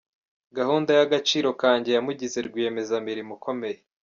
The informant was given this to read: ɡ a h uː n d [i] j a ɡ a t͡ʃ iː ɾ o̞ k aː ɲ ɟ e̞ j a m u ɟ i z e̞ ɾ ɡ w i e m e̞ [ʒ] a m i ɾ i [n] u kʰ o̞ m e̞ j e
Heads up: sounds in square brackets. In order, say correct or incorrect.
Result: incorrect: a, incorrect: z, incorrect: m

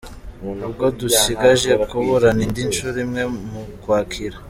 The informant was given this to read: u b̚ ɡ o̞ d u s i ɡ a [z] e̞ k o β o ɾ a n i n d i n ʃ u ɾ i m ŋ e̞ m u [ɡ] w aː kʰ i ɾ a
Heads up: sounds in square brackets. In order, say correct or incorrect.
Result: incorrect: ʒ, incorrect: k

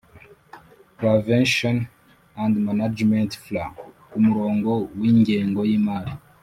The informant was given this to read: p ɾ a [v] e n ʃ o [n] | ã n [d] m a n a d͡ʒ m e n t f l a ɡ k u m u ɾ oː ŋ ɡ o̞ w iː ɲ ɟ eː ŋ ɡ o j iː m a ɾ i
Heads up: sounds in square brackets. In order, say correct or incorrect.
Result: correct, correct, correct

